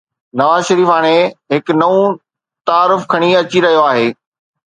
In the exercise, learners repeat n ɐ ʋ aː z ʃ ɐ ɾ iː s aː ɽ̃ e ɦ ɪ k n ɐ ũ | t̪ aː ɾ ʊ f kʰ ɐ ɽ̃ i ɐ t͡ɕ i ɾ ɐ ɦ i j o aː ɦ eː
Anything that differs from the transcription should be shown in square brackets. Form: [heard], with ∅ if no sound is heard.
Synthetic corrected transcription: n ɐ ʋ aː z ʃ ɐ ɾ iː [f] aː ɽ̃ e ɦ ɪ k n ɐ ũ | t̪ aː ɾ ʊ f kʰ ɐ ɽ̃ i ɐ t͡ɕ i ɾ ɐ ɦ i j o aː ɦ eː

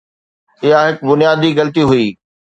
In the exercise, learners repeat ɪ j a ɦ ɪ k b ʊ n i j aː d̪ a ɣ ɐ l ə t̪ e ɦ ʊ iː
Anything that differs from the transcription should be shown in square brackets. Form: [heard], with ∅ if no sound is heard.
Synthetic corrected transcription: ɪ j a ɦ ɪ k b ʊ n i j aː d̪ [i] ɣ ɐ l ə t̪ [i] ɦ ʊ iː

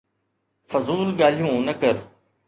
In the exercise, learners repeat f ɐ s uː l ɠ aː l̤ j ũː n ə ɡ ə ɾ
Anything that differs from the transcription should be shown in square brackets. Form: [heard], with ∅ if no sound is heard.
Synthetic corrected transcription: f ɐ [z] uː l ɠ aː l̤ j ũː n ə [k] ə ɾ

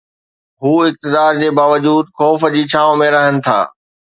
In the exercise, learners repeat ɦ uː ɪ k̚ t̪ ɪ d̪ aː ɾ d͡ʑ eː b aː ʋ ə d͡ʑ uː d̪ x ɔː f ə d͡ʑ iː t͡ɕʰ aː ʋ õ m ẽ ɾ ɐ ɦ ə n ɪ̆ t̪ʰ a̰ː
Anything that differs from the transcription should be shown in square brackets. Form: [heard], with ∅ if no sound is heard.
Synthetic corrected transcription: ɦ uː ɪ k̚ t̪ ɪ d̪ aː ɾ d͡ʑ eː b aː ʋ ə d͡ʑ uː d̪ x ɔː f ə d͡ʑ iː t͡ɕʰ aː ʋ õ m ẽ ɾ ɐ ɦ ə n ɪ̆ t̪ʰ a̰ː

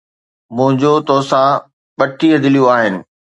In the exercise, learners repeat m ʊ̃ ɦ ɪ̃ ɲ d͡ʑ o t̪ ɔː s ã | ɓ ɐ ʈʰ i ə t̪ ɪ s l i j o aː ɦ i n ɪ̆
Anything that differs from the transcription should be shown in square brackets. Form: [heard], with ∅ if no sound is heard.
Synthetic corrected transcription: m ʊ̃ ɦ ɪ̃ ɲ d͡ʑ o t̪ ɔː s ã | ɓ ɐ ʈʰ i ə [d̪] ɪ [∅] l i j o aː ɦ [ɪ] n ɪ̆

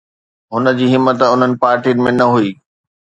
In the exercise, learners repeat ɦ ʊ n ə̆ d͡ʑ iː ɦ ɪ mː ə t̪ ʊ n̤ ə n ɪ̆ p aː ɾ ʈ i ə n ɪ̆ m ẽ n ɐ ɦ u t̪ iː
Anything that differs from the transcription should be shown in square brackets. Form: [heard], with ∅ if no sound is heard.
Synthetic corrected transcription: ɦ ʊ n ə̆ d͡ʑ iː ɦ ɪ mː ə t̪ ʊ n̤ ə n ɪ̆ p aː ɾ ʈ i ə n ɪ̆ m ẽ n ɐ ɦ u [∅] iː

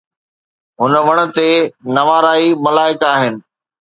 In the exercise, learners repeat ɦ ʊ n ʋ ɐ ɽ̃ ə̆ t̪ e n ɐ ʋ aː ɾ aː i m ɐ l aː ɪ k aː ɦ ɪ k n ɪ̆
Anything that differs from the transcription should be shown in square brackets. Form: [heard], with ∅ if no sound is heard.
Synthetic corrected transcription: ɦ ʊ n ʋ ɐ ɽ̃ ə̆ t̪ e n ɐ ʋ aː ɾ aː i m ɐ l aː ɪ k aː ɦ ɪ [∅] n ɪ̆

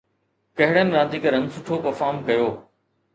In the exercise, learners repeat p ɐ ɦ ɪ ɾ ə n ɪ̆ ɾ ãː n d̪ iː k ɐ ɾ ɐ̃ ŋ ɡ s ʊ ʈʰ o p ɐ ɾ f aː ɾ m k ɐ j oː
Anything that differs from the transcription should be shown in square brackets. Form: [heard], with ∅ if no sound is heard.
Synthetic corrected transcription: [k] ɐ ɦ ɪ [ɽ] ə n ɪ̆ ɾ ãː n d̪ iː k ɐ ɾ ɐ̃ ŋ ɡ s ʊ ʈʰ o p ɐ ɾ f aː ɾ m k ɐ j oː

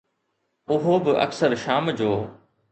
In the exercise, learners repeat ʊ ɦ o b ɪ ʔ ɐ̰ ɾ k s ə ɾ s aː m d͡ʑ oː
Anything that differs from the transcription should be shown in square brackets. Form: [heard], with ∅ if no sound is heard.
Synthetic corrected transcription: ʊ ɦ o b ɪ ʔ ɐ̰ [∅] k s ə ɾ [ʃ] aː m d͡ʑ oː

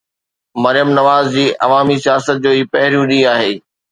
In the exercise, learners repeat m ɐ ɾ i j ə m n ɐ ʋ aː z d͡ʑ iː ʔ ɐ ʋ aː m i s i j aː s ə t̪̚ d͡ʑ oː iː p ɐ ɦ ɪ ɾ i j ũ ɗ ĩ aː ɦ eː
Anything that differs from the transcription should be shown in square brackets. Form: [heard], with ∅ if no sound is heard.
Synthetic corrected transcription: m ɐ ɾ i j ə m n ɐ ʋ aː z d͡ʑ iː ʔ ɐ ʋ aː m i s i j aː s ə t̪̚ d͡ʑ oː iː p ɐ ɦ ɪ ɾ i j ũ ɗ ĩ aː ɦ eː

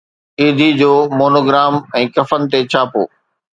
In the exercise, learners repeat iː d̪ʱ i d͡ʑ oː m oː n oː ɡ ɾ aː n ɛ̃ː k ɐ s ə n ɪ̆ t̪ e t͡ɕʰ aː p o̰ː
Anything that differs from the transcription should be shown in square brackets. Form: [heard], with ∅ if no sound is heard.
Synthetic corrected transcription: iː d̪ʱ i d͡ʑ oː m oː n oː ɡ ɾ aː [m] ɛ̃ː k ɐ [f] ə n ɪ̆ t̪ e t͡ɕʰ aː p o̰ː

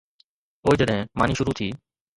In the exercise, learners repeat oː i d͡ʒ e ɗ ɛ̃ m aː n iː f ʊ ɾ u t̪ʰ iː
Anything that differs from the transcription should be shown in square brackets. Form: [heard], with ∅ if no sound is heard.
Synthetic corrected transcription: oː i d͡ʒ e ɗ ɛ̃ m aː n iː [ʃ] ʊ ɾ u t̪ʰ iː

